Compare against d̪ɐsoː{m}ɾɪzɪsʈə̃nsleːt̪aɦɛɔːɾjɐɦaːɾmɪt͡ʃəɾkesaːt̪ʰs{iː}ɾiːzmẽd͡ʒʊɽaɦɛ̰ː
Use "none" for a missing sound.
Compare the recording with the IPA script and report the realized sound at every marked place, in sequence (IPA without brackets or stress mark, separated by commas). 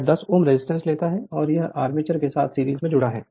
m, iː